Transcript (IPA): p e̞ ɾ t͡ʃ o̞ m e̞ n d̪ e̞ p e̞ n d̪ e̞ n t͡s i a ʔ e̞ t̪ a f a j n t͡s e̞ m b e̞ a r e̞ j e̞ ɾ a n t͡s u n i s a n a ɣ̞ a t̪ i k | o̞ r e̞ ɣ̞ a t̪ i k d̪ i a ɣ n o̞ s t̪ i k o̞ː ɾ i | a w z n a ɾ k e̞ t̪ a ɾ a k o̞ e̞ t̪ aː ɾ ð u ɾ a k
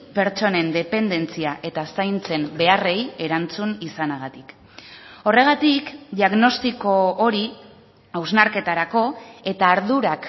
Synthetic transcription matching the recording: p e̞ ɾ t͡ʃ o̞ n e̞ n d̪ e̞ p e̞ n d̪ e̞ n t͡s i a ʔ e̞ t̪ a s a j n t͡s e̞ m b e̞ a r e̞ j e̞ ɾ a n t͡s u n i s a n a ɣ̞ a t̪ i k | o̞ r e̞ ɣ̞ a t̪ i k d̪ i a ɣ n o̞ s t̪ i k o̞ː ɾ i | a w z n a ɾ k e̞ t̪ a ɾ a k o̞ e̞ t̪ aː ɾ ð u ɾ a k

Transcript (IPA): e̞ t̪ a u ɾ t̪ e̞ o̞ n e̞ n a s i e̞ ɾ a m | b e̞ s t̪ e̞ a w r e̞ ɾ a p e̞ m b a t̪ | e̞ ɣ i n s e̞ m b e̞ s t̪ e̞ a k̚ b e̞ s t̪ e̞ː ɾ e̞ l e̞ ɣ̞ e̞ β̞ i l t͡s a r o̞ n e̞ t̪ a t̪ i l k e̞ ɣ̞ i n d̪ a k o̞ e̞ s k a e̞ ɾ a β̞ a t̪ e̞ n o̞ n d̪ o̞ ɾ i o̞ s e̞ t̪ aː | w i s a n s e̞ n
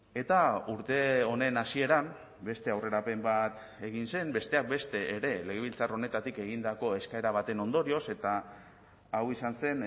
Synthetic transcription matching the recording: e̞ t̪ a u ɾ t̪ e̞ o̞ n e̞ n a s i e̞ ɾ a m | b e̞ s t̪ e̞ a w r e̞ ɾ a p e̞ m b a t̪ | e̞ ɣ i n s e̞ m b e̞ s t̪ e̞ a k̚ b e̞ s t̪ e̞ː ɾ e̞ l e̞ ɣ̞ e̞ β̞ i l t͡s a r o̞ n e̞ t̪ a t̪ i k e̞ ɣ̞ i n d̪ a k o̞ e̞ s k a e̞ ɾ a β̞ a t̪ e̞ n o̞ n d̪ o̞ ɾ i o̞ s e̞ t̪ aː | w i s a n s e̞ n

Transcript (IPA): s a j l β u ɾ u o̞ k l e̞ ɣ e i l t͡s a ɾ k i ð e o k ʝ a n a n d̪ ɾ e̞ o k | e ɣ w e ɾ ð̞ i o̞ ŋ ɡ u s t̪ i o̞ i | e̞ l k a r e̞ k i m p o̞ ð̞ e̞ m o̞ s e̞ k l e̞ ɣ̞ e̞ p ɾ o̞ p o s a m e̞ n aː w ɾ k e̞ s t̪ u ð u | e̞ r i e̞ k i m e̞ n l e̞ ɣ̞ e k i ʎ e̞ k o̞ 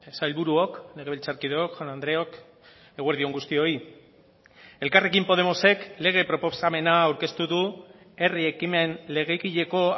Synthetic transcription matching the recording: s a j l β u ɾ u o̞ k l e̞ ɣ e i l t͡s a ɾ k i ð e o k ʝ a n a n d̪ ɾ e̞ o k | e ɣ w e ɾ ð̞ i o̞ ŋ ɡ u s t̪ i o̞ i | e̞ l k a r e̞ k i m p o̞ ð̞ e̞ m o̞ s e̞ k l e̞ ɣ̞ e̞ p ɾ o̞ p o s a m e̞ n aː w ɾ k e̞ s t̪ u ð u | e̞ r i e̞ k i m e̞ n l e̞ ɣ̞ e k i ʎ e̞ k o̞

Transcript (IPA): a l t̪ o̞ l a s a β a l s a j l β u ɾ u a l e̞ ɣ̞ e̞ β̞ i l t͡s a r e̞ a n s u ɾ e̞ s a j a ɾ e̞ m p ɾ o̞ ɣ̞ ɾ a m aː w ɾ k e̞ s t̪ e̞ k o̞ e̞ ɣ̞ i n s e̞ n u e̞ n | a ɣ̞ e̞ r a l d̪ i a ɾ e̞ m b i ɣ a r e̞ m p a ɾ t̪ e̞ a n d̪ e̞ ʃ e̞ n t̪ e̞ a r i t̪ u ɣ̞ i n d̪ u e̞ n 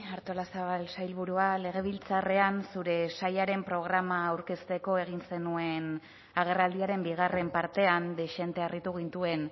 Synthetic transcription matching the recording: a ɾ t̪ o̞ l a s a β a l s a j l β u ɾ u a l e̞ ɣ̞ e̞ β̞ i l t͡s a r e̞ a n s u ɾ e̞ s a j a ɾ e̞ m p ɾ o̞ ɣ̞ ɾ a m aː w ɾ k e̞ s t̪ e̞ k o̞ e̞ ɣ̞ i n s e̞ n u e̞ n | a ɣ̞ e̞ r a l d̪ i a ɾ e̞ m b i ɣ a r e̞ m p a ɾ t̪ e̞ a n d̪ e̞ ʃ e̞ n t̪ e̞ a r i t̪ u ɣ̞ i n t̪ u e̞ n

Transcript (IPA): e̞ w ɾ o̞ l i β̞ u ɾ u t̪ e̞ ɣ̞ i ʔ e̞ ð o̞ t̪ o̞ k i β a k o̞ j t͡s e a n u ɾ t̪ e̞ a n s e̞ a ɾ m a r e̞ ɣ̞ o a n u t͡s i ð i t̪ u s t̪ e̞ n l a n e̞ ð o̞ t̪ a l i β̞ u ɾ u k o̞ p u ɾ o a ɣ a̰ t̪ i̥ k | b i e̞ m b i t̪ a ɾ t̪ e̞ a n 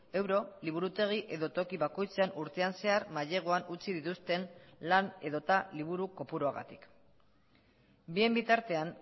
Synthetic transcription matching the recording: e̞ w ɾ o̞ l i β̞ u ɾ u t̪ e̞ ɣ̞ i ʔ e̞ ð o̞ t̪ o̞ k i β a k o̞ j t͡s e a n u ɾ t̪ e̞ a n s e̞ a ɾ m a ʎ e̞ ɣ̞ o a n u t͡s i ð i t̪ u s t̪ e̞ n l a n e̞ ð o̞ t̪ a l i β̞ u ɾ u k o̞ p u ɾ o a ɣ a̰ t̪ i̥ k | b i e̞ m b i t̪ a ɾ t̪ e̞ a n

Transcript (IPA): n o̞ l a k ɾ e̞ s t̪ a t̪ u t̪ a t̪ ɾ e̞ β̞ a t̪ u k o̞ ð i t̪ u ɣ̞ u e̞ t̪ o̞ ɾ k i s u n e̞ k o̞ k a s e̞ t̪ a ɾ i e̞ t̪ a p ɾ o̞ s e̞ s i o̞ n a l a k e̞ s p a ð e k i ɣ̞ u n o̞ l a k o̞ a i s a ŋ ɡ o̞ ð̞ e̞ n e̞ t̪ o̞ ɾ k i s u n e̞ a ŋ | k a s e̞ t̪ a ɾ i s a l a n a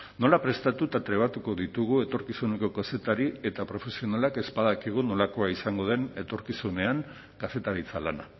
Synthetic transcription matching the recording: n o̞ l a p ɾ e̞ s t̪ a t̪ u t̪ a t̪ ɾ e̞ β̞ a t̪ u k o̞ ð i t̪ u ɣ̞ u e̞ t̪ o̞ ɾ k i s u n e̞ k o̞ k a s e̞ t̪ a ɾ i e̞ t̪ a p ɾ o̞ f e̞ s i o̞ n a l a k e̞ s p a ð a k i ɣ̞ u n o̞ l a k o̞ a i s a ŋ ɡ o̞ ð̞ e̞ n e̞ t̪ o̞ ɾ k i s u n e̞ a ŋ | k a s e̞ t̪ a ɾ i t͡s a l a n a

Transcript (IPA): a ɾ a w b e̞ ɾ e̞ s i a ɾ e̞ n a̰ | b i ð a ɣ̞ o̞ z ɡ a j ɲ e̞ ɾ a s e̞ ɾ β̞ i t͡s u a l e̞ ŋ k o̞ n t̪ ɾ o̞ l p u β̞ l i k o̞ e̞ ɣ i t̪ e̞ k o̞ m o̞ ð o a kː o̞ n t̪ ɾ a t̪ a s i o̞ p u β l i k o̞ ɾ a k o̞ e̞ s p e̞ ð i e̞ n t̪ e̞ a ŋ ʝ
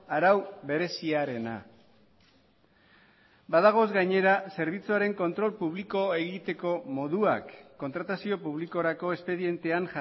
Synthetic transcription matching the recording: a ɾ a w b e̞ ɾ e̞ s i a ɾ e̞ n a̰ | b a ð a ɣ̞ o̞ z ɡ a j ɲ e̞ ɾ a s e̞ ɾ β̞ i t͡s u a ɾ e̞ ŋ k o̞ n t̪ ɾ o̞ l p u β̞ l i k o̞ e̞ ɣ i t̪ e̞ k o̞ m o̞ ð u a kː o̞ n t̪ ɾ a t̪ a s i o̞ p u β l i k o̞ ɾ a k o̞ e̞ s p e̞ ð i e̞ n t̪ e̞ a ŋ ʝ

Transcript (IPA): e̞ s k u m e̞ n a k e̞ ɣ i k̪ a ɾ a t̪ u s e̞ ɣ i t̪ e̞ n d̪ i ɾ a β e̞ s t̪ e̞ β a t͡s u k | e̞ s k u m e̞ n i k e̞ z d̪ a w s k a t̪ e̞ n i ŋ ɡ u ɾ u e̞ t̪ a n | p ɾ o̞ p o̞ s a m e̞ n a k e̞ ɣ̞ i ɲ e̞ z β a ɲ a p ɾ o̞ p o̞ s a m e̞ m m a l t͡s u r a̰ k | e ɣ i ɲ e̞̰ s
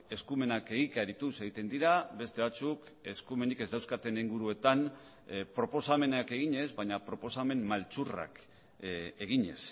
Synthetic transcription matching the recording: e̞ s k u m e̞ n a k e̞ ɣ i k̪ a ɾ i t̪ u s e̞ ɣ i t̪ e̞ n d̪ i ɾ a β e̞ s t̪ e̞ β a t͡s u k | e̞ s k u m e̞ n i k e̞ z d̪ a w s k a t̪ e̞ n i ŋ ɡ u ɾ u e̞ t̪ a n | p ɾ o̞ p o̞ s a m e̞ n a k e̞ ɣ̞ i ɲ e̞ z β a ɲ a p ɾ o̞ p o̞ s a m e̞ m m a l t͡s u r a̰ k | e ɣ i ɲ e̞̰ s

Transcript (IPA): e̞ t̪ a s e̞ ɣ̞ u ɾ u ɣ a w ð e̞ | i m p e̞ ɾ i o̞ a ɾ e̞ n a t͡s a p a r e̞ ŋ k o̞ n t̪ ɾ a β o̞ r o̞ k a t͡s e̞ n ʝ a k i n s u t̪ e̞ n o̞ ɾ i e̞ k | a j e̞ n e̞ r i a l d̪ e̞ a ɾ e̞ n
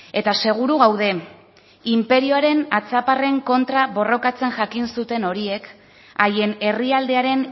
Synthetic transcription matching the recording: e̞ t̪ a s e̞ ɣ̞ u ɾ u ɣ a w ð e̞ | i m p e̞ ɾ i o̞ a ɾ e̞ n a t͡s a p a r e̞ ŋ k o̞ n t̪ ɾ a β o̞ r o̞ k a t͡s e̞ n ʝ a k i n s u t̪ e̞ n o̞ ɾ i e̞ k | a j e̞ n e̞ r i a l d̪ e̞ a ɾ e̞ n

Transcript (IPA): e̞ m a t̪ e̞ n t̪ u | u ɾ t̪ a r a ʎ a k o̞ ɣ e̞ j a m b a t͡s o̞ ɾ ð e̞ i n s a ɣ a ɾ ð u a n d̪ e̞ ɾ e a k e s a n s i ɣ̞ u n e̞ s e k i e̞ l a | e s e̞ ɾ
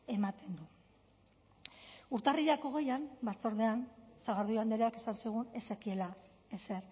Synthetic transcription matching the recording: e̞ m a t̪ e̞ n d̪ u | u ɾ t̪ a r i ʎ a k o̞ ɣ e̞ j a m b a t͡s o̞ ɾ ð e̞ a n s a ɣ a ɾ ð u a n d̪ e̞ ɾ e a k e s a n s i ɣ̞ u n e̞ s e k i e̞ l a | e s e̞ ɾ

